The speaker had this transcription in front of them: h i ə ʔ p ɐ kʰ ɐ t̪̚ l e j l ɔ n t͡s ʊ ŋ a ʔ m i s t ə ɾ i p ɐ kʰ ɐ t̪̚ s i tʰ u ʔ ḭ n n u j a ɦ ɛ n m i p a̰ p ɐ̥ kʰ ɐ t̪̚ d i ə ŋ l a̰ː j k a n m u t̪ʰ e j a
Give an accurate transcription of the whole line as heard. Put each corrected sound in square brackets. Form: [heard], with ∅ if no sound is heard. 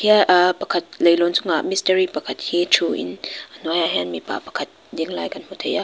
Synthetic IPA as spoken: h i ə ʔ p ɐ kʰ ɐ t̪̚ l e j l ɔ n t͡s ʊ ŋ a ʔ m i s t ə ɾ i p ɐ kʰ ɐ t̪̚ [h] i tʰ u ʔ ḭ n n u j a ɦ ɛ n m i p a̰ p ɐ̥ kʰ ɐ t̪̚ d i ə ŋ l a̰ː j k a n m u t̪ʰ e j a